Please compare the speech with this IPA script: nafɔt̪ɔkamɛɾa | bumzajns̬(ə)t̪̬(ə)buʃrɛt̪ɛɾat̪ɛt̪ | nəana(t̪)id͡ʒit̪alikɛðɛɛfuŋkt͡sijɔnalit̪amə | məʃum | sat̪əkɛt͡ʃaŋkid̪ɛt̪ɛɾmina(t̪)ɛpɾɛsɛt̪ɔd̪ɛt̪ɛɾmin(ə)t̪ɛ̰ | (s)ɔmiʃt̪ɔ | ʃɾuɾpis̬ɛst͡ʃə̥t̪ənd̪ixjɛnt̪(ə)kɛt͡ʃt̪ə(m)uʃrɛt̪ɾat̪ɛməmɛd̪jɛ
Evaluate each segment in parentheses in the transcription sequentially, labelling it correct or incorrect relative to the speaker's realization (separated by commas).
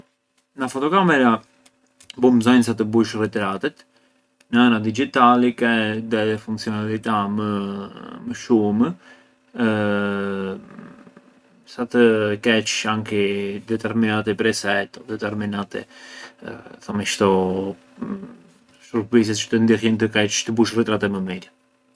incorrect, correct, incorrect, correct, incorrect, incorrect, correct, incorrect